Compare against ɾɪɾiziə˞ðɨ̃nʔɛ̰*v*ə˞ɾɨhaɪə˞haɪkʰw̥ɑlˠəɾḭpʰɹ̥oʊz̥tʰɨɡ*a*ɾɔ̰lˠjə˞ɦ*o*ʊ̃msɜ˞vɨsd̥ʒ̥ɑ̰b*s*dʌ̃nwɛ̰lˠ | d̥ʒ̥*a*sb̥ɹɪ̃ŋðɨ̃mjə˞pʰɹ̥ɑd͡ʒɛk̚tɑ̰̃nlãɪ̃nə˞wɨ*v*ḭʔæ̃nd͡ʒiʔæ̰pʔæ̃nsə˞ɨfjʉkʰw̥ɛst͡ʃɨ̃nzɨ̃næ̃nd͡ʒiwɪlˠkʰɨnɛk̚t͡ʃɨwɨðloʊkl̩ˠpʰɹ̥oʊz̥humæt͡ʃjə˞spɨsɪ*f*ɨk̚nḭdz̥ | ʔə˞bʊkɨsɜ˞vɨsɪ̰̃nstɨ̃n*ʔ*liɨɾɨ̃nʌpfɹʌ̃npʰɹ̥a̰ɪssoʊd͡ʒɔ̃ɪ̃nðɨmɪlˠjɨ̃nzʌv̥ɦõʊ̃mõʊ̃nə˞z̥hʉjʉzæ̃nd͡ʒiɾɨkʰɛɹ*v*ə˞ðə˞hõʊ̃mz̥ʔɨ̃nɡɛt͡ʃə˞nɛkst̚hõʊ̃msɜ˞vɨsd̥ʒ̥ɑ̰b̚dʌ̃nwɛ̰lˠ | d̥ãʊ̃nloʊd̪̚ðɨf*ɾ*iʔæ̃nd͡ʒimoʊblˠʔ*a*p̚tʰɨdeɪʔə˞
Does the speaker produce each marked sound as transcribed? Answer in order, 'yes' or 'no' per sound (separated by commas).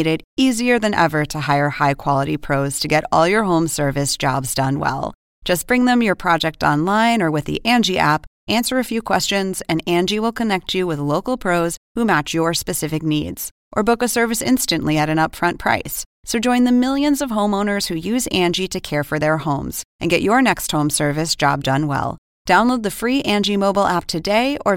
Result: yes, no, no, no, no, no, yes, yes, no, no, no